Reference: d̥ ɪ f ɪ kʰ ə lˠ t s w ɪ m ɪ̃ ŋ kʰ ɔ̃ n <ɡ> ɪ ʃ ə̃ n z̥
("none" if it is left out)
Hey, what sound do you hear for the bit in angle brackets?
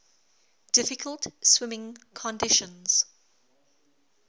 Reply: d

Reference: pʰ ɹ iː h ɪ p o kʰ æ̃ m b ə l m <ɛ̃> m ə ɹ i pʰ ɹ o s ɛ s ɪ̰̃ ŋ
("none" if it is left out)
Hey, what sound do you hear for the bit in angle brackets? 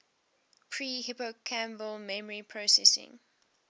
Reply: ɛ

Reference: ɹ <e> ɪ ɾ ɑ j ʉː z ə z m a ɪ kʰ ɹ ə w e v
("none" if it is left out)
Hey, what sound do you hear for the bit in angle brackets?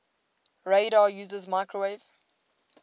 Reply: e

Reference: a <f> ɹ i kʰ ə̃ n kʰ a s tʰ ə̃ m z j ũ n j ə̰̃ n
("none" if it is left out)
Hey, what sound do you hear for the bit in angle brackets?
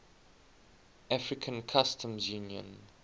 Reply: f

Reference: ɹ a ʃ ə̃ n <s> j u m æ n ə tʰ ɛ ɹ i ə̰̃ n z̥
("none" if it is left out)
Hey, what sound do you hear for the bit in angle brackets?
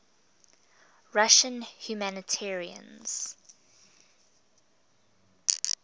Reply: h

